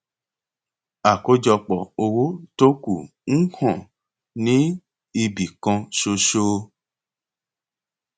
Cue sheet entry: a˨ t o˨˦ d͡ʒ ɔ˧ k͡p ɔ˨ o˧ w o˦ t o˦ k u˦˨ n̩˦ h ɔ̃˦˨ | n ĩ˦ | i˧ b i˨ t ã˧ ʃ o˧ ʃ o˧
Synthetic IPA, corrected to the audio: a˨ k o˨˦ d͡ʒ ɔ˧ k͡p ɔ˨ o˧ w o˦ t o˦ k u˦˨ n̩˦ h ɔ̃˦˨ | n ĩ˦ | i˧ b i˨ k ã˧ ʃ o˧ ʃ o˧